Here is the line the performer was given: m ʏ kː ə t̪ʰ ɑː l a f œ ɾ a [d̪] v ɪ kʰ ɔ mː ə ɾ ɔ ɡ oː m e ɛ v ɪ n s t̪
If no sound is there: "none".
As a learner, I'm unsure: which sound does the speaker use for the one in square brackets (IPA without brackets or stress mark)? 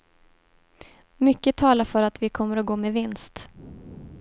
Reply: t̪